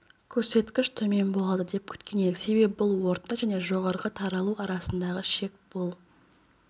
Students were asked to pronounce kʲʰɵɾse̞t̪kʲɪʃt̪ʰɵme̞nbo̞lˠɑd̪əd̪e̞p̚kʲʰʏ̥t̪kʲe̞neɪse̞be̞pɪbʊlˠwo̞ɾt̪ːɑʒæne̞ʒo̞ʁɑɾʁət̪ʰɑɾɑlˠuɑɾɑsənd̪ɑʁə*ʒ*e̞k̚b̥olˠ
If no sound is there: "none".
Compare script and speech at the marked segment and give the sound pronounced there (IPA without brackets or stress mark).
ʃ